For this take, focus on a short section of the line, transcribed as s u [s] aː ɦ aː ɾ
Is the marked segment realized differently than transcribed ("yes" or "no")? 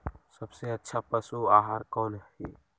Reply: yes